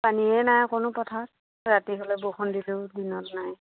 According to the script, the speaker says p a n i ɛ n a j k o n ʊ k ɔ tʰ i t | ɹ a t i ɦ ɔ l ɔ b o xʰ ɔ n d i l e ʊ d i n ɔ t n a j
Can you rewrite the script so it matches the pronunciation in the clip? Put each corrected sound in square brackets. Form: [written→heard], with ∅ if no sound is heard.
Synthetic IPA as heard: p a n i ɛ n a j k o n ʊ [k→p] ɔ tʰ [i→a] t | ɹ a t i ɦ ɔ l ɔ b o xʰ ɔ n d i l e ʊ d i n ɔ t n a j